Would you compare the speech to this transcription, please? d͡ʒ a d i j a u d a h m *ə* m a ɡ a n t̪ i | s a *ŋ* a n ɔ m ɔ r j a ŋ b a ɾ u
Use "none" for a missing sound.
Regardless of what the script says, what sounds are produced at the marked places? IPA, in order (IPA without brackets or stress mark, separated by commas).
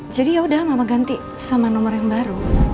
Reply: a, m